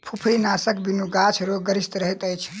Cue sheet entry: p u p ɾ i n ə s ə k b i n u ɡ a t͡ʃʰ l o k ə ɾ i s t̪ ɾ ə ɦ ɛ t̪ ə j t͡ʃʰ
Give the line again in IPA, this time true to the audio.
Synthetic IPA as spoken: pʰ u pʰ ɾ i n a s ə k b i n u ɡ a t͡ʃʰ ɾ o ɡ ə ɾ i s t̪ ɾ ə ɦ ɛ t̪ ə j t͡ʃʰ

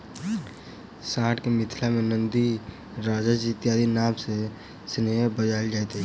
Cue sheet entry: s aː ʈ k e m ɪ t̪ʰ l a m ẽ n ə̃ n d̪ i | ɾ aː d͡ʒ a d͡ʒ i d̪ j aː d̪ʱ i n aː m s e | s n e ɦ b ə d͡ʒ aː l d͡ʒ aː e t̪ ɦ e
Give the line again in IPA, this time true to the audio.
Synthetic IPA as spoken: s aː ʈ k e m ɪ t̪ʰ l a m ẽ n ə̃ n d̪ i | ɾ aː d͡ʒ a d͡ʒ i t̪ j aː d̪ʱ i n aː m s e | s n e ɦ b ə d͡ʒ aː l d͡ʒ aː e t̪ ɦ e

